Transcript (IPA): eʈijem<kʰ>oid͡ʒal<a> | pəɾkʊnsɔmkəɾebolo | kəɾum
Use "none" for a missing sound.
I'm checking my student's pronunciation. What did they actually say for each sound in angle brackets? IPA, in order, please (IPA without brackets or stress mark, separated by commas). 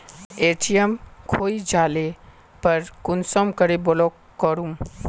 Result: kʰ, e